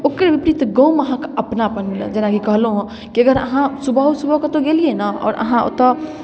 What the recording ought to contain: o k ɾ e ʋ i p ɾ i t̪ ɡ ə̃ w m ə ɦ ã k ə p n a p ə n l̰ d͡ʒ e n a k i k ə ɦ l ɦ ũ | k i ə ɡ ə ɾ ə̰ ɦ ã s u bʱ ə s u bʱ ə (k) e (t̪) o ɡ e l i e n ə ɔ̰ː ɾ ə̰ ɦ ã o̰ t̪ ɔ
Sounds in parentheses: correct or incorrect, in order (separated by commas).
correct, correct